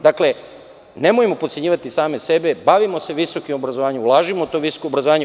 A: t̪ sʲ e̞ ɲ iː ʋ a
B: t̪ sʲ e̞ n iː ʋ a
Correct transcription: A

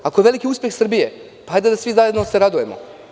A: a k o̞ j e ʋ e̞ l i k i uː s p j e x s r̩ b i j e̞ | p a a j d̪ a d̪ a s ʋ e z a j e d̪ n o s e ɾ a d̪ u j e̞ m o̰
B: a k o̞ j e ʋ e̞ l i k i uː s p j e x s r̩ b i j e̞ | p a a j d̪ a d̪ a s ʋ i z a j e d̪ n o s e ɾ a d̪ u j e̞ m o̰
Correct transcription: B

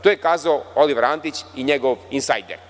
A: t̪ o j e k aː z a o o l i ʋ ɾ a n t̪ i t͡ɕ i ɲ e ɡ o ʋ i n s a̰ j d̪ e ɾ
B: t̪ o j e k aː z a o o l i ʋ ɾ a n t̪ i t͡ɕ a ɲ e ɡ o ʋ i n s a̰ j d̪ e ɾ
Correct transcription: A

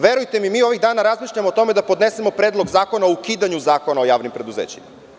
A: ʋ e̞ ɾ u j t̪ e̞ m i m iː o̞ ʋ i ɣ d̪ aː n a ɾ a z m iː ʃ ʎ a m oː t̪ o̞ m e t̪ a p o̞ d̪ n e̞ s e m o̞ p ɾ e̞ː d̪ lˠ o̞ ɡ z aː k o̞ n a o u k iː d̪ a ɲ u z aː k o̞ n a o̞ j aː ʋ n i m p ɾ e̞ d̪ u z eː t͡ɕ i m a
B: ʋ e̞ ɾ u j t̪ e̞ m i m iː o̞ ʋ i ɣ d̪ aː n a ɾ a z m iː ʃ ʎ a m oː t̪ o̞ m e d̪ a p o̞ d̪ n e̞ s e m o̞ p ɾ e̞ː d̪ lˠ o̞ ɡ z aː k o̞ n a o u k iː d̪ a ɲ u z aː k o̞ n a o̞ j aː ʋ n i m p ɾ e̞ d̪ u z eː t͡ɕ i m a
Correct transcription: B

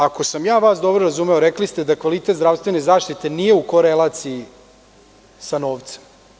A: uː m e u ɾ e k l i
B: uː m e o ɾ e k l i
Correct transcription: B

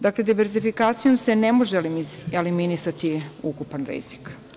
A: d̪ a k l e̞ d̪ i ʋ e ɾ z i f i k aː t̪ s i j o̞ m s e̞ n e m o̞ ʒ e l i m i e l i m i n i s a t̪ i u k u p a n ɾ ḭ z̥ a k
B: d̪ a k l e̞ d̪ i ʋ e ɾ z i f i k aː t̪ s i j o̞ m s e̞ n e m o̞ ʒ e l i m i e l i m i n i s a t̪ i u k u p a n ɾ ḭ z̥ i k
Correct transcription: B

